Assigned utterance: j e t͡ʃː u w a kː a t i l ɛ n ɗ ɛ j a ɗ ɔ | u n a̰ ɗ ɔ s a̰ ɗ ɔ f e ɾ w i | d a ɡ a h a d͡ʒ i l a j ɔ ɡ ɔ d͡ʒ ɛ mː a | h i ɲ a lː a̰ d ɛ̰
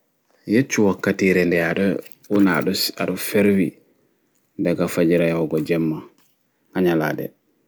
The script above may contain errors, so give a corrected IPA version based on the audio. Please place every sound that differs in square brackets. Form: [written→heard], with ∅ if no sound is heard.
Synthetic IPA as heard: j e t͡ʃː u w a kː a t i [l→ɾ] ɛ n [ɗ→d] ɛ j a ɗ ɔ | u n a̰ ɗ ɔ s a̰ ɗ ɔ f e ɾ w i | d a ɡ a [h→f] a d͡ʒ i [l→ɾ] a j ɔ ɡ ɔ d͡ʒ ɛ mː a | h [i→a] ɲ a [lː→l] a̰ d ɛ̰